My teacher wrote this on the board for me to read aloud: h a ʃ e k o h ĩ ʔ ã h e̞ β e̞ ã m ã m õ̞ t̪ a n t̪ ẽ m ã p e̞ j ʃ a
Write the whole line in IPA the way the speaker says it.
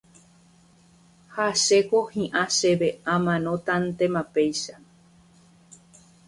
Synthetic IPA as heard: h a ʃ e k o h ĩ ʔ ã ʃ e̞ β e̞ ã m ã n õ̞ t̪ a n t̪ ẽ m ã p e̞ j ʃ a